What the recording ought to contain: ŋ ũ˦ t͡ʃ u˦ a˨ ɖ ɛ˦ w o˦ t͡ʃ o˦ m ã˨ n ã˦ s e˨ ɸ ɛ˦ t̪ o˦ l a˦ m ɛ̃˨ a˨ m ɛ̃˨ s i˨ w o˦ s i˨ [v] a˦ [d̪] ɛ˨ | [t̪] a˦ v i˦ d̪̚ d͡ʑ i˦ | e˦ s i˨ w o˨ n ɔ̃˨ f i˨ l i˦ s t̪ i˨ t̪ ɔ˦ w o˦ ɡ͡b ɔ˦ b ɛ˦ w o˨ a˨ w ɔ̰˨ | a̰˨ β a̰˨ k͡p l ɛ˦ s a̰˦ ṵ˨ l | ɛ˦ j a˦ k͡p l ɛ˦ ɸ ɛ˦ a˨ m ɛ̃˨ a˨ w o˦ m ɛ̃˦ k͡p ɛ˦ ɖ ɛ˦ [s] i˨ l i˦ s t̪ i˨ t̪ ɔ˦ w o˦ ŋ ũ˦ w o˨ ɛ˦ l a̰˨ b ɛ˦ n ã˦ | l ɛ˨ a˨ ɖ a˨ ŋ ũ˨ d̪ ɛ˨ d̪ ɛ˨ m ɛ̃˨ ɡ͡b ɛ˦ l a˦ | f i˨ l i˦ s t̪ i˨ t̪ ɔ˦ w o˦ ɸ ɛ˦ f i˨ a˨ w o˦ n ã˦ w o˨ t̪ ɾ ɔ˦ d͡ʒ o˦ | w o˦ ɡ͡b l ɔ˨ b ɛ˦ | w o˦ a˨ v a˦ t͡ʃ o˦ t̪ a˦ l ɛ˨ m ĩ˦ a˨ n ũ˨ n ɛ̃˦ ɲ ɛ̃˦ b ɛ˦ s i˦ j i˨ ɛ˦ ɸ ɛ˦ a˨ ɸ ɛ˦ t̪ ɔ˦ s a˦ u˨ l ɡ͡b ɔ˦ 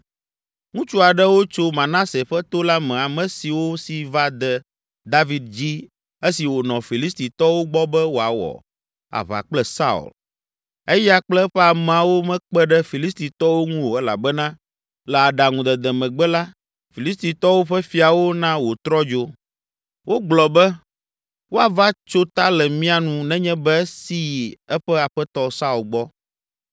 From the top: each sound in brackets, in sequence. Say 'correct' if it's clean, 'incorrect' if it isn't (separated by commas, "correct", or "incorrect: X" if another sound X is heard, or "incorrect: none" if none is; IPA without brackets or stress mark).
correct, correct, incorrect: d̪, incorrect: f